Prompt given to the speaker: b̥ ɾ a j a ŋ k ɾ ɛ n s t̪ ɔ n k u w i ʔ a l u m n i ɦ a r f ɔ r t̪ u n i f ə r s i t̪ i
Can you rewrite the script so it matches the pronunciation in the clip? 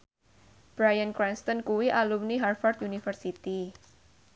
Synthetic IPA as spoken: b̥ ɾ a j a n k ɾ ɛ n s t̪ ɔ n k u w i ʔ a l u m n i ɦ a r f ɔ r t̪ u n i f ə r s i t̪ i